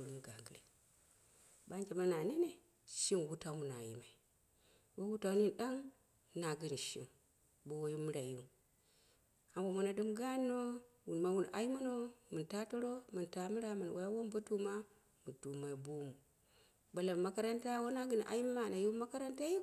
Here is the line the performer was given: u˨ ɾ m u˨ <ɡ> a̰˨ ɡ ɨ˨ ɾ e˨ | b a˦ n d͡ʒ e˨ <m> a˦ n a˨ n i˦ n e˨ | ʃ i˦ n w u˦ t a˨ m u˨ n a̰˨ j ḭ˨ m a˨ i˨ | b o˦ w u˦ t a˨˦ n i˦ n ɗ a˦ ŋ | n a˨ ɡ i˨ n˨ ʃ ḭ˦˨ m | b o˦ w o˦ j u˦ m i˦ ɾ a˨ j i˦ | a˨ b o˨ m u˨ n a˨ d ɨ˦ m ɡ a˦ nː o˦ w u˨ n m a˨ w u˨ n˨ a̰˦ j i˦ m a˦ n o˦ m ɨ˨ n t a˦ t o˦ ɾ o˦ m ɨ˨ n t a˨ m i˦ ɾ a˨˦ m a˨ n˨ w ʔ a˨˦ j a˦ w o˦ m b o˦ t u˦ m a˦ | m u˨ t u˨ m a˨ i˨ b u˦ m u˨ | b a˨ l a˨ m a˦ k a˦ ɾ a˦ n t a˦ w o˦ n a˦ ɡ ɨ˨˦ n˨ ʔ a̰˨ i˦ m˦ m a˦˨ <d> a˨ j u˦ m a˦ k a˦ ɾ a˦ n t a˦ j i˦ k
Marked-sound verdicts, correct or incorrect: correct, correct, incorrect: n

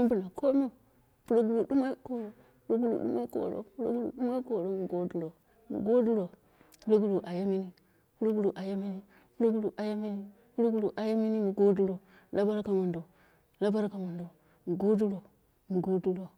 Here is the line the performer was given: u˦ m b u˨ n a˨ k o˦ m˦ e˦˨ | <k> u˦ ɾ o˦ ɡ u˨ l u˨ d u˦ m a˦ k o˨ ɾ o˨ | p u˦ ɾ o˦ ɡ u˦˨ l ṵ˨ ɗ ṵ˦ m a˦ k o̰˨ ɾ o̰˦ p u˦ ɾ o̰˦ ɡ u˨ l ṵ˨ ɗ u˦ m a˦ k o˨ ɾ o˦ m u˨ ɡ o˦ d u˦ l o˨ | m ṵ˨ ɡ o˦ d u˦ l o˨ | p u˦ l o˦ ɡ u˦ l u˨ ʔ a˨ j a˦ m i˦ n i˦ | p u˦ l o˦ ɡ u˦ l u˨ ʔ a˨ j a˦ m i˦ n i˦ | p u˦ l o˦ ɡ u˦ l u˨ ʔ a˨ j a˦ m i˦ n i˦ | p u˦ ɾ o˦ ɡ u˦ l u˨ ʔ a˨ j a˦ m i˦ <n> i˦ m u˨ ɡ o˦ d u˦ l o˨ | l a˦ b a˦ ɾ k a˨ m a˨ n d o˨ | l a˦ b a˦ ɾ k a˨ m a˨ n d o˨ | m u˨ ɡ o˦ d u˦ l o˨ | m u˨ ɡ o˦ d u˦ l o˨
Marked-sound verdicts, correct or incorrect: incorrect: p, correct

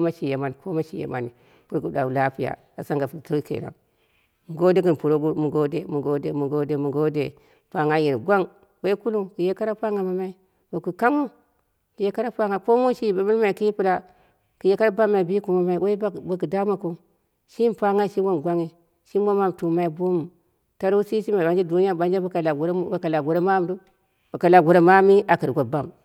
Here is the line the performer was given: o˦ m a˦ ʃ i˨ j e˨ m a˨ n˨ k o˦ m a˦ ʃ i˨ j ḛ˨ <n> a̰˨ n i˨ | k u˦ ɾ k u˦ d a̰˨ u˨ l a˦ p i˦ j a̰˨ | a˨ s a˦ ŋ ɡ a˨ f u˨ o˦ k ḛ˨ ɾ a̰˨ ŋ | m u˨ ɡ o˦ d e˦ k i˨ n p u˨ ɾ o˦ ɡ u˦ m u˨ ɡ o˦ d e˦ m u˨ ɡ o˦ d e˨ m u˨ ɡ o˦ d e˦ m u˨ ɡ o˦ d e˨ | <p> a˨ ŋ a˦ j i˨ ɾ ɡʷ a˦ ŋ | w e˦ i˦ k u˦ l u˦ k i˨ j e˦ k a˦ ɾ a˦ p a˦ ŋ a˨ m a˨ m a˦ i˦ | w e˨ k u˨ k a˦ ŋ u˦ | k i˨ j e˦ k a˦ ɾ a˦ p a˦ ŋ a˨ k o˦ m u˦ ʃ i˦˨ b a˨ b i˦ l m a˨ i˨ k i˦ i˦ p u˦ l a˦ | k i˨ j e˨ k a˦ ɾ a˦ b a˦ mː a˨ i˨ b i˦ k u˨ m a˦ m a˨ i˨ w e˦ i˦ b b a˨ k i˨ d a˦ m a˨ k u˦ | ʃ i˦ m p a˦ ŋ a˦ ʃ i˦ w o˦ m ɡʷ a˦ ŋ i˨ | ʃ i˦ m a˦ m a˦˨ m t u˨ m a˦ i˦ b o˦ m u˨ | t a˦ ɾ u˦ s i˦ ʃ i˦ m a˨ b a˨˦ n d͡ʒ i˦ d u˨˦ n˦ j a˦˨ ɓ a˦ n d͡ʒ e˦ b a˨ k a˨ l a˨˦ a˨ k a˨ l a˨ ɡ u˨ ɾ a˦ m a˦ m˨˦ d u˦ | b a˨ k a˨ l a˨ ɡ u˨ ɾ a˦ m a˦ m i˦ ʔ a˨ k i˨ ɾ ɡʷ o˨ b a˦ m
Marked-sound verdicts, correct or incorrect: incorrect: m, correct

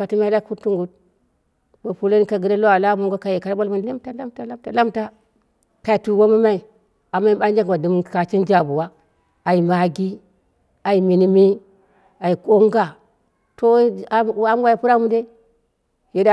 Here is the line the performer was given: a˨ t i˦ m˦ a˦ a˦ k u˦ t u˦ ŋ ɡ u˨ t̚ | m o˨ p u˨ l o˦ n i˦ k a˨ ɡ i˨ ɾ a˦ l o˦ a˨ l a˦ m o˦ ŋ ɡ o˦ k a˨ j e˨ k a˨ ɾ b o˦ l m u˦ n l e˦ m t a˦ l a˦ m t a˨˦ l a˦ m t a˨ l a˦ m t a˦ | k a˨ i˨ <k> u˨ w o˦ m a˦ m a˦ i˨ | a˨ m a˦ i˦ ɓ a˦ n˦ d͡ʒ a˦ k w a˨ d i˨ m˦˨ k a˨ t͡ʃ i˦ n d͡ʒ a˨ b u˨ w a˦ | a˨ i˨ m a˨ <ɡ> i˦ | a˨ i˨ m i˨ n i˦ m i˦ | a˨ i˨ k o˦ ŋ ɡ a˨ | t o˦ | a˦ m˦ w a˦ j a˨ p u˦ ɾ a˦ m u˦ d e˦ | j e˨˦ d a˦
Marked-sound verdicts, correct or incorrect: incorrect: t, correct

